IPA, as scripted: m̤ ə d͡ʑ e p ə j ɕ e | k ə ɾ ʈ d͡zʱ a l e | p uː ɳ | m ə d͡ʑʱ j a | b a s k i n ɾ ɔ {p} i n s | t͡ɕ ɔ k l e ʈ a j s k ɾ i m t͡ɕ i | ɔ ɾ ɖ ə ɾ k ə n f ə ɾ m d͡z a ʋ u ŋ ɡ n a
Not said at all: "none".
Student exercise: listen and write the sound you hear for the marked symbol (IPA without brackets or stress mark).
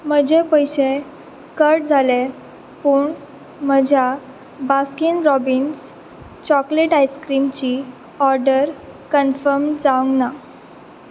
b